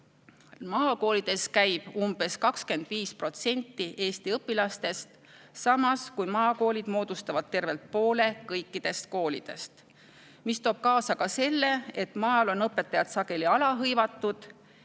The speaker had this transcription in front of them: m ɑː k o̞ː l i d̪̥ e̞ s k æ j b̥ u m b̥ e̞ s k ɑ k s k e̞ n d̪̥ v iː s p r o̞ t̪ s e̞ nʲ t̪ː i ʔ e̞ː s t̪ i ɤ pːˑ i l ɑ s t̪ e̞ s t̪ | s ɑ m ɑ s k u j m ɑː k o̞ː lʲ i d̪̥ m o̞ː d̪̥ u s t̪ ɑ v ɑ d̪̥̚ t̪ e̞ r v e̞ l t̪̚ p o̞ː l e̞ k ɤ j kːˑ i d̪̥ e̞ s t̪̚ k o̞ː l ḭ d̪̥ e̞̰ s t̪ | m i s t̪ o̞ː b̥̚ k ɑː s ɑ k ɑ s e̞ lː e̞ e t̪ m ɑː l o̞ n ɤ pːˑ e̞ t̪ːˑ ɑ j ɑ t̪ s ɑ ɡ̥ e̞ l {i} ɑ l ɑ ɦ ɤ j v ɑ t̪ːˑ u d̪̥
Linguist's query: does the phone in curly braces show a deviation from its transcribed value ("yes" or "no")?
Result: no